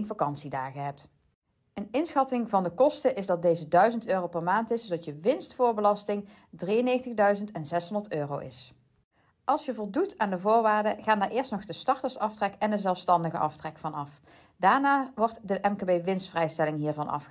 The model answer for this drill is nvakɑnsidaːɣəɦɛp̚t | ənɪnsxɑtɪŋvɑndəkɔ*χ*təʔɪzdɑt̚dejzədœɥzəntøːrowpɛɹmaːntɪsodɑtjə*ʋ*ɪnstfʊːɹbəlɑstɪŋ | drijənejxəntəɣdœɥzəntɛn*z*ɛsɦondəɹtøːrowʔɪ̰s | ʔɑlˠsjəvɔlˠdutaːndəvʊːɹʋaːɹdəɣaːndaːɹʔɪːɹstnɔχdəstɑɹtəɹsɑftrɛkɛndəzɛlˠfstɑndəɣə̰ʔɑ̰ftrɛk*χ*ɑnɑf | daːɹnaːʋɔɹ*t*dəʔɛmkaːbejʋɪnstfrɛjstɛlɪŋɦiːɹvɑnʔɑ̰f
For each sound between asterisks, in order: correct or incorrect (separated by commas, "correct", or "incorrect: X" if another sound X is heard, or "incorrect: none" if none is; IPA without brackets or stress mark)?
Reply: incorrect: s, correct, correct, incorrect: f, correct